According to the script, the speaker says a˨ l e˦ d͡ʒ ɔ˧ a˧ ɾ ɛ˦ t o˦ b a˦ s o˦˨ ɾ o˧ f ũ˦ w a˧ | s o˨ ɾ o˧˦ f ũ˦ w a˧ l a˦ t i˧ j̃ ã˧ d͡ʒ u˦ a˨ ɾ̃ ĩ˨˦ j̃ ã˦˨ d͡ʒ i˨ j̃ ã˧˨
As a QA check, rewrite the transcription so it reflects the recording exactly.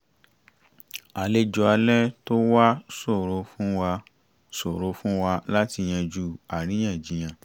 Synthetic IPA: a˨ l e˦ d͡ʒ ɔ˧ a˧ l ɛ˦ t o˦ w a˦ s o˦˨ ɾ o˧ f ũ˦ w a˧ | s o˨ ɾ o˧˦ f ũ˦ w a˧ l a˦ t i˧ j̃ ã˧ d͡ʒ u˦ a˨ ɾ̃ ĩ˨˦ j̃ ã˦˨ d͡ʒ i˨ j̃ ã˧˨

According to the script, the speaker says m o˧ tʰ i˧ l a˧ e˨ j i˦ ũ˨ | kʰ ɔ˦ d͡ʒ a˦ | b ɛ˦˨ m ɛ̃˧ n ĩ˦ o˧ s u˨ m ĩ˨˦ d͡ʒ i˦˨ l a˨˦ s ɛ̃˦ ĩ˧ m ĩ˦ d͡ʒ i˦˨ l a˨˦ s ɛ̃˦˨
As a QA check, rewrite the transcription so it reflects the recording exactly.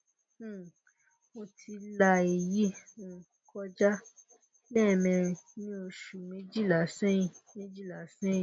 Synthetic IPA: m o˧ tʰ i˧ l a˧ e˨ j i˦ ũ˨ | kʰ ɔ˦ d͡ʒ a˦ | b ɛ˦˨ m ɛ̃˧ n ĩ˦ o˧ ʃ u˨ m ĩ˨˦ d͡ʒ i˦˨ l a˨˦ s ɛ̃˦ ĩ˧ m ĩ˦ d͡ʒ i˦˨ l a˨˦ s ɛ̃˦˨

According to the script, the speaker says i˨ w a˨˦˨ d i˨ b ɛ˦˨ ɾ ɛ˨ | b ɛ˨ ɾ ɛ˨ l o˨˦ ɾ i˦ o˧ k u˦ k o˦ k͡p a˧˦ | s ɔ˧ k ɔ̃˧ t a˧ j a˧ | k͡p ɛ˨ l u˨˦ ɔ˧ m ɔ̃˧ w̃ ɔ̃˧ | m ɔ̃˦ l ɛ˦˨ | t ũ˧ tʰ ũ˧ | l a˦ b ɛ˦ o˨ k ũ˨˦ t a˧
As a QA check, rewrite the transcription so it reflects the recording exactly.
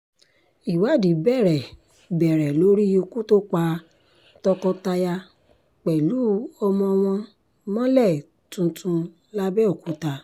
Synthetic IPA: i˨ w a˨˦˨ d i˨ b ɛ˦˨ ɾ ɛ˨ | b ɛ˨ ɾ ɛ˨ l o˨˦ ɾ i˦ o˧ k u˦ t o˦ k͡p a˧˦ | t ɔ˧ k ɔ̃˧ t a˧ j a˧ | k͡p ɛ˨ l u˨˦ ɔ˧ m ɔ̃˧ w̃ ɔ̃˧ | m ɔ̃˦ l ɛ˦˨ | t ũ˧ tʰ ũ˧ | l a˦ b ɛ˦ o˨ k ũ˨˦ t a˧

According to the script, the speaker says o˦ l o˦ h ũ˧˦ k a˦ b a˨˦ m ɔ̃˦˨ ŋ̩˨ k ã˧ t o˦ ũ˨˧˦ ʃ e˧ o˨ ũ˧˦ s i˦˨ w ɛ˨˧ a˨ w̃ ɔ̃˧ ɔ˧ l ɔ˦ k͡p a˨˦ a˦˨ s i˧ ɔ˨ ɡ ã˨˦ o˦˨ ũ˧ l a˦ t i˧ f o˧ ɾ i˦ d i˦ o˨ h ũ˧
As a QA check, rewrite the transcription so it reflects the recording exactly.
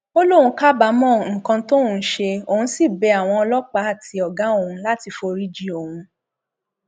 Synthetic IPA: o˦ l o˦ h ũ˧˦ k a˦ b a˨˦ m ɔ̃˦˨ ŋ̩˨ k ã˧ t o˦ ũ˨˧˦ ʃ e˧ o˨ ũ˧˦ s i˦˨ b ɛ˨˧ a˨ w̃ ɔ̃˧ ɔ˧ l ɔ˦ k͡p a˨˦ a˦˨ t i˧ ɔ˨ ɡ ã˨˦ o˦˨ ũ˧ l a˦ t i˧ f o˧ ɾ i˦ d͡ʒ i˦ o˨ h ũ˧

